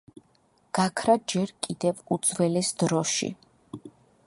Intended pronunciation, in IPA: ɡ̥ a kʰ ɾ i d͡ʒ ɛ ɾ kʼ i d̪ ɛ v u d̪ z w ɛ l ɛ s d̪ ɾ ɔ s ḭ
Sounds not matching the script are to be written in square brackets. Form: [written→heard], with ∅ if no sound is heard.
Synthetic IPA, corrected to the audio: ɡ̥ a kʰ ɾ [i→a] d͡ʒ ɛ ɾ kʼ i d̪ ɛ v u d̪ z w ɛ l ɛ s d̪ ɾ ɔ [s→ʃ] ḭ